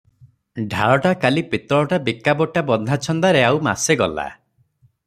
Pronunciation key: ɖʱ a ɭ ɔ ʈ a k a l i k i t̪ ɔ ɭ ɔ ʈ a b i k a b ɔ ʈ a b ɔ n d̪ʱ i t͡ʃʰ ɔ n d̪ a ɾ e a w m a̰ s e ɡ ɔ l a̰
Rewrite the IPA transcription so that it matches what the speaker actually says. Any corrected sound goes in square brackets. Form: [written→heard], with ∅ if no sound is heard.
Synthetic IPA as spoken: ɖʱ a ɭ ɔ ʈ a k a l i [k→p] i t̪ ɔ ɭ ɔ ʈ a b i k a b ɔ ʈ a b ɔ n d̪ʱ [i→a] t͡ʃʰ ɔ n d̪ a ɾ e a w m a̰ s e ɡ ɔ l a̰